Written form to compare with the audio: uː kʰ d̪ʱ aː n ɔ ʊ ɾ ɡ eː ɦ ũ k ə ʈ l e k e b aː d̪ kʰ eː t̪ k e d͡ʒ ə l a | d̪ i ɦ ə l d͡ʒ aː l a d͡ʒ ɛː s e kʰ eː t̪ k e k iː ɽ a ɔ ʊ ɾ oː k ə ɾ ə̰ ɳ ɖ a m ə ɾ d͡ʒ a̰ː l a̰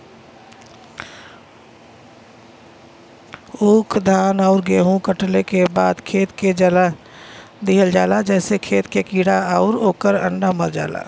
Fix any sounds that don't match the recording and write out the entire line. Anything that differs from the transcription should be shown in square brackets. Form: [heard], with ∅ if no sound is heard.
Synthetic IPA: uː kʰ d̪ʱ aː n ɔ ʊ ɾ ɡ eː ɦ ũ k ə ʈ l e k e b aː d̪ kʰ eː t̪ k e d͡ʒ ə l a | d̪ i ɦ ə l d͡ʒ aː l a d͡ʒ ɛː s e kʰ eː t̪ k e k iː ɽ a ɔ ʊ ɾ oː k ə ɾ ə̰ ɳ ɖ a m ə ɾ d͡ʒ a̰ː l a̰